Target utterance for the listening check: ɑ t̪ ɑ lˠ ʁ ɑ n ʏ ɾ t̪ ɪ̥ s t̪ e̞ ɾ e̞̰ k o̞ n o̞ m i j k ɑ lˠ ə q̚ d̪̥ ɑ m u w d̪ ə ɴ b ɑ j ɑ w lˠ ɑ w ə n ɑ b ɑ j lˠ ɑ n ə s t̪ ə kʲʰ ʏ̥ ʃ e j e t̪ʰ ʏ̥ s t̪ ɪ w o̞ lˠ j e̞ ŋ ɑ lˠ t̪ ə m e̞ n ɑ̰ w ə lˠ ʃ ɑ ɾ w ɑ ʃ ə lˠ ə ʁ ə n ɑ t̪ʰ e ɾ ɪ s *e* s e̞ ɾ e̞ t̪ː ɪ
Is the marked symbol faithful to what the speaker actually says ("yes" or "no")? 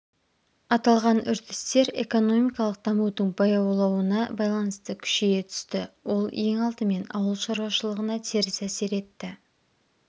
no